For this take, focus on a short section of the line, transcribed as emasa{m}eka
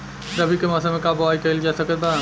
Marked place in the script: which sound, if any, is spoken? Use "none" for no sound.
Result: m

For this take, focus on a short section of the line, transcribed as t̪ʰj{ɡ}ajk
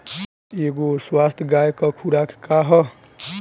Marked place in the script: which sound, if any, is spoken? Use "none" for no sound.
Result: ɡ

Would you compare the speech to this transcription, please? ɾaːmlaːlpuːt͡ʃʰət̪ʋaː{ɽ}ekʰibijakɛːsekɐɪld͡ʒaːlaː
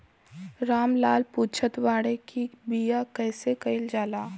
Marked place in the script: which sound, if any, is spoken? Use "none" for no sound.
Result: ɽ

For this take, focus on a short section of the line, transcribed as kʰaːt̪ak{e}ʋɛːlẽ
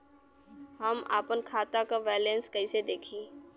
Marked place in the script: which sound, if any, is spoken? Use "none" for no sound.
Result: a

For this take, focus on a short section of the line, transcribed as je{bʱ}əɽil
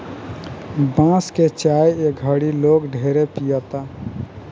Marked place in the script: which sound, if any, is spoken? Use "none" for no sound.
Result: ɡʱ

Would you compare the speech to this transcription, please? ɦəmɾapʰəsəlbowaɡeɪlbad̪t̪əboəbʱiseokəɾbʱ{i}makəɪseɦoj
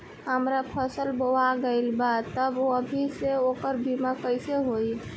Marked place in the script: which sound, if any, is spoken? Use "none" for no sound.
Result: i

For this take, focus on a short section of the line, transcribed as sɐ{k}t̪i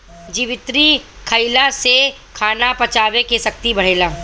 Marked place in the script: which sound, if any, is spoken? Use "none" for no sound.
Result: k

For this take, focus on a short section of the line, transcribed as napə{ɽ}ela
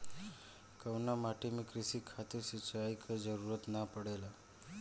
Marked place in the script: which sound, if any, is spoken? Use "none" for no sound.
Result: ɽ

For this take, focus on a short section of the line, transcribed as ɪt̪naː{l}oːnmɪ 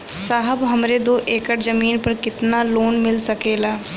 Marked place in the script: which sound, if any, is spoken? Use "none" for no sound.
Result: l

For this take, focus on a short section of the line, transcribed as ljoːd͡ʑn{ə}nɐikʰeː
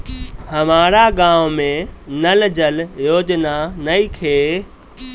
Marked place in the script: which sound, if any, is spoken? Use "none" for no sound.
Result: a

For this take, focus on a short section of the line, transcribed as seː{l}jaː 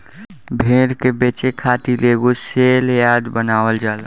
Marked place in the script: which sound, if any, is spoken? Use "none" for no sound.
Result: l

